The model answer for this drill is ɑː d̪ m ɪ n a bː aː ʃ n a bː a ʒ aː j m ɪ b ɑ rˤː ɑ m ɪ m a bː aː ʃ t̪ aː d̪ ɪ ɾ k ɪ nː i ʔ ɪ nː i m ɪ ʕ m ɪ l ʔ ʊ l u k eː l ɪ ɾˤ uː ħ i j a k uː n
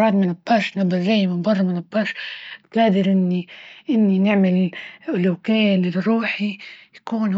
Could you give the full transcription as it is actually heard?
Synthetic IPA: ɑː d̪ m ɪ n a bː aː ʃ n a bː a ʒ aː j m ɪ b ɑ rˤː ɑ m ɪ n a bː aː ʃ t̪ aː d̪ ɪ ɾ ʔ ɪ nː i ʔ ɪ nː i n ɪ ʕ m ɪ l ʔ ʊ l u k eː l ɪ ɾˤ uː ħ i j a k uː n